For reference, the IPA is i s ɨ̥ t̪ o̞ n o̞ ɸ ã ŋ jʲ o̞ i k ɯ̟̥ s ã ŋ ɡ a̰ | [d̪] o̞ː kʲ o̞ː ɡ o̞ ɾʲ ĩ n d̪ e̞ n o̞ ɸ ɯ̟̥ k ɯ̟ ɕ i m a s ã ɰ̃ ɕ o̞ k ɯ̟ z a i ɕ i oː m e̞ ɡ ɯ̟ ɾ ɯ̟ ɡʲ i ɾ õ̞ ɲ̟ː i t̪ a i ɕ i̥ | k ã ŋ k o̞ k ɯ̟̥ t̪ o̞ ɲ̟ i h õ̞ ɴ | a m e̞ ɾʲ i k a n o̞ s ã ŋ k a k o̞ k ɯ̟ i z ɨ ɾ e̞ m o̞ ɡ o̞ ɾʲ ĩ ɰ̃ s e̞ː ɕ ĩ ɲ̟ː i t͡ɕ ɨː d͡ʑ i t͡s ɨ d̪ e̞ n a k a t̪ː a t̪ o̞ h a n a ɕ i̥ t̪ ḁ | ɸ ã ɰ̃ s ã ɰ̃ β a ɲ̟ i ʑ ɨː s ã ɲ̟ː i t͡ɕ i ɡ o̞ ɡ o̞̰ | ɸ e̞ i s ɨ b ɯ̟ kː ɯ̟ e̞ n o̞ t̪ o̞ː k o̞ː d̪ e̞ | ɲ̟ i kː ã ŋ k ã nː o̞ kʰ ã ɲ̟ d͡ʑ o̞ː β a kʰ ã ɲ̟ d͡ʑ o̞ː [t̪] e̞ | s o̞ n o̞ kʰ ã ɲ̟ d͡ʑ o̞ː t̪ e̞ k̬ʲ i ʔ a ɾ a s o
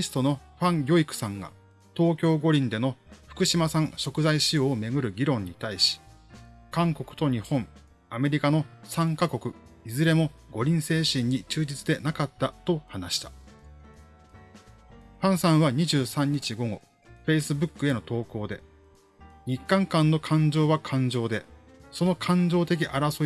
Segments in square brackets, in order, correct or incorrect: incorrect: t̪, incorrect: d̪

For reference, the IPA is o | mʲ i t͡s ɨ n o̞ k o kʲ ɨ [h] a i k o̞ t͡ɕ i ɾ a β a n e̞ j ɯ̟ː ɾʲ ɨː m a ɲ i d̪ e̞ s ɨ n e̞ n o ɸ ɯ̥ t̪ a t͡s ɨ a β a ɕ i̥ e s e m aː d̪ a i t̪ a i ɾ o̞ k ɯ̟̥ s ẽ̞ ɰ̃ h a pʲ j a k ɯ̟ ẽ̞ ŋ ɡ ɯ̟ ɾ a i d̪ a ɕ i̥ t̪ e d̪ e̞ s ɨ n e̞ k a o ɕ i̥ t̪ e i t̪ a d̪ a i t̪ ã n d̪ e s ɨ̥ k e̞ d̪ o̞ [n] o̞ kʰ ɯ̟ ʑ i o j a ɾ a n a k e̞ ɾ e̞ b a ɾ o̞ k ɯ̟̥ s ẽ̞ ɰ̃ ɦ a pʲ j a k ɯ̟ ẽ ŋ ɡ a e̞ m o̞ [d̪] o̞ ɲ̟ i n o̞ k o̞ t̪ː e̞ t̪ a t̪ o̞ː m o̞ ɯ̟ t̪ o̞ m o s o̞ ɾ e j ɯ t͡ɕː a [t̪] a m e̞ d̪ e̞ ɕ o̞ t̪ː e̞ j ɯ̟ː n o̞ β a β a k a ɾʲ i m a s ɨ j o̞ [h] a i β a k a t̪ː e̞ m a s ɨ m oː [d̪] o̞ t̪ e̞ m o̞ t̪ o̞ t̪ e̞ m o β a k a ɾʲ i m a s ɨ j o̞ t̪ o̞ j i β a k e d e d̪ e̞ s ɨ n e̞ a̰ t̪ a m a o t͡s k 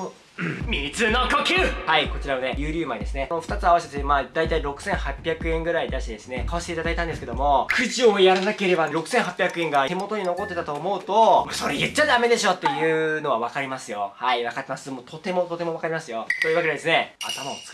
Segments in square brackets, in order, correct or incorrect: correct, incorrect: m, incorrect: t̪, incorrect: d̪, correct, incorrect: t̪

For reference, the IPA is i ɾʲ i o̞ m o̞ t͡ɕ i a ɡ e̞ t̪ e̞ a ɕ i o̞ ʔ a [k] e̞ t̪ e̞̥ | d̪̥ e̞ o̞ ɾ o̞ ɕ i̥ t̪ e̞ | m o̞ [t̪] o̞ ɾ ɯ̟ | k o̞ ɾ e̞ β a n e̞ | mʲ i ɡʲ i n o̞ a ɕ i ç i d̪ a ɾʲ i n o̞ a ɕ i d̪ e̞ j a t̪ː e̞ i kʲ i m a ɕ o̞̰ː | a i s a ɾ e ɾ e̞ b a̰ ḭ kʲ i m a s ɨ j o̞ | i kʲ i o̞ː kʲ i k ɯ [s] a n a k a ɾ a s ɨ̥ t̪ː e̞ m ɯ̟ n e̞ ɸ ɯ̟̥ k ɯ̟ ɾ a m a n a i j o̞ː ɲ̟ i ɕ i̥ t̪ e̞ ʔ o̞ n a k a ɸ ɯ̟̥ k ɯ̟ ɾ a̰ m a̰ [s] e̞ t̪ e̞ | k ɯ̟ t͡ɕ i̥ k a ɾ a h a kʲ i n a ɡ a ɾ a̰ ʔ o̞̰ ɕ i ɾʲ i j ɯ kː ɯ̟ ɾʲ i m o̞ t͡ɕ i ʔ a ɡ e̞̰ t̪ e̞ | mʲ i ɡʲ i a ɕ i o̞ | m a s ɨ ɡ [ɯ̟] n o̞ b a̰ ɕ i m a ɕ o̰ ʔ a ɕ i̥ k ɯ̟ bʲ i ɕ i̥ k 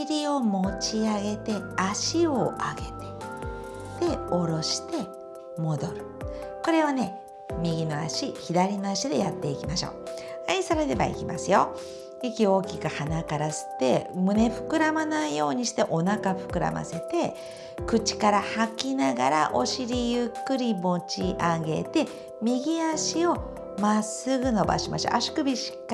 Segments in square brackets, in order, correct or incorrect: incorrect: ɡ, incorrect: d̪, incorrect: h, correct, correct

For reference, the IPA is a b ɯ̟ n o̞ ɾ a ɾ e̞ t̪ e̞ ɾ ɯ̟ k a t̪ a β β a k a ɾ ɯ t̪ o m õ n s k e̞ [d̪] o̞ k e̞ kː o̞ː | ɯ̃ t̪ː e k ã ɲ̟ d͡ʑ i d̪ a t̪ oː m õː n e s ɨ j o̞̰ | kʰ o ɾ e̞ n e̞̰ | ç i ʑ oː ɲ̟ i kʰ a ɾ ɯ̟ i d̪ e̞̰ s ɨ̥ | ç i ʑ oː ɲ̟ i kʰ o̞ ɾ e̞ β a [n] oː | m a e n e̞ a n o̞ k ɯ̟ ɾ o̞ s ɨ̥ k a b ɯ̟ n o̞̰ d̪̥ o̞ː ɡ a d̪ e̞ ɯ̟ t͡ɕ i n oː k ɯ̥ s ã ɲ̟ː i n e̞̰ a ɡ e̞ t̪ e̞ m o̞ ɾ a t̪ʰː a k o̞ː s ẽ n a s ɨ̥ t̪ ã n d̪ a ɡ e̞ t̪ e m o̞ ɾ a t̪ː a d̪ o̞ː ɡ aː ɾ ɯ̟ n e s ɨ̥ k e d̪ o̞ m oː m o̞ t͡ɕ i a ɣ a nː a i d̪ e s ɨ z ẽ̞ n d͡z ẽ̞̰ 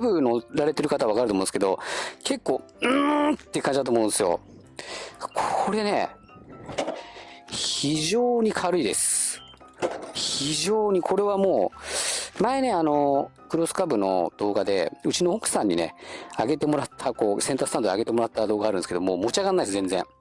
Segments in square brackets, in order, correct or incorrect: correct, incorrect: m

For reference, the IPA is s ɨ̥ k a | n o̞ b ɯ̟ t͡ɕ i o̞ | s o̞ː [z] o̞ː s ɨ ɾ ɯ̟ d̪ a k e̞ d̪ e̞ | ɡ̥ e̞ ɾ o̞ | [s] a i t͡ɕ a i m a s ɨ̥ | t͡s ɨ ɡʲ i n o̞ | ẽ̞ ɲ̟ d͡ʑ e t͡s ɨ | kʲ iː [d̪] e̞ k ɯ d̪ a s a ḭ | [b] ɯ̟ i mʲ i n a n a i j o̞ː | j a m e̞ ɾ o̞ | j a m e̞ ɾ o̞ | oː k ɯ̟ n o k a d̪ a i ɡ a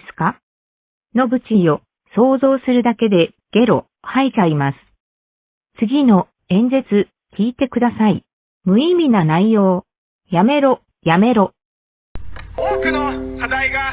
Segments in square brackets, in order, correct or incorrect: correct, incorrect: h, incorrect: t̪, incorrect: m

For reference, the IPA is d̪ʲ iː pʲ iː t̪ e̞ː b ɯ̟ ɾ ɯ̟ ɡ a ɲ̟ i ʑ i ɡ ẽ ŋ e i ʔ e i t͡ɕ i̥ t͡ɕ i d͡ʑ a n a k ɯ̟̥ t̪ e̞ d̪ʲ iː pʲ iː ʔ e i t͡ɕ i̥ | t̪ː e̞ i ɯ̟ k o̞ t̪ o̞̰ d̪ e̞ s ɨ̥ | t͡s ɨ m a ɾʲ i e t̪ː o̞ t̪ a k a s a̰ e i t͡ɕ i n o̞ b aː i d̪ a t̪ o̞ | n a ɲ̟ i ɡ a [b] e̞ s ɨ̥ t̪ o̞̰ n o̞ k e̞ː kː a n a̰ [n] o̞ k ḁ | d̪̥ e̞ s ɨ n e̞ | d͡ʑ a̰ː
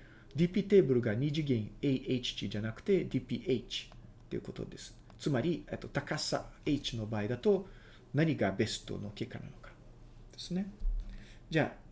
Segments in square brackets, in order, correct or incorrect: correct, correct

